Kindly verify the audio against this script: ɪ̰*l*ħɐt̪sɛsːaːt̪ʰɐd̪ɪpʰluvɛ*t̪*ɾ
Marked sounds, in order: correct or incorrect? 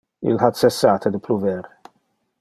correct, incorrect

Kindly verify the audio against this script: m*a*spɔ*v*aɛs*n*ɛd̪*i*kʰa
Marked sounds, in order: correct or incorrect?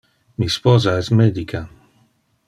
incorrect, incorrect, incorrect, correct

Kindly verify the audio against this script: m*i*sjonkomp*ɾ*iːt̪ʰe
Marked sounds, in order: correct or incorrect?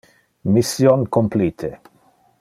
correct, incorrect

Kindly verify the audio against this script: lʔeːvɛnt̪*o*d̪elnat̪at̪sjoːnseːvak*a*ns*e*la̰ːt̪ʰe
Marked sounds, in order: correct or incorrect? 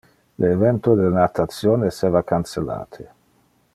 correct, correct, correct

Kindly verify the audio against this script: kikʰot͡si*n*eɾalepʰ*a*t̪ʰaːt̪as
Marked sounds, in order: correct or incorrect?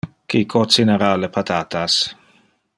correct, correct

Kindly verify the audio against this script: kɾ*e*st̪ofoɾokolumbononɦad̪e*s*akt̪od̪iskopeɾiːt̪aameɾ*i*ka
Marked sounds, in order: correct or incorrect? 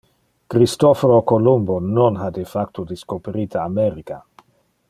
incorrect, incorrect, correct

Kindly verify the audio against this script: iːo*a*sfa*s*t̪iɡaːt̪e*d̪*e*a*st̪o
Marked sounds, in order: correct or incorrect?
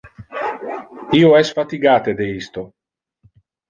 incorrect, incorrect, correct, incorrect

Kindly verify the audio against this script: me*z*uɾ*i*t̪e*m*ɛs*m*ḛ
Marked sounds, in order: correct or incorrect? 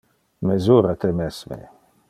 correct, incorrect, correct, correct

